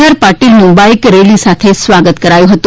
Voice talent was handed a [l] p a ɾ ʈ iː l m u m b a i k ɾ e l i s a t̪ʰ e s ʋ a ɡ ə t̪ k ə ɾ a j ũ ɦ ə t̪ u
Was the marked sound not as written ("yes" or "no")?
yes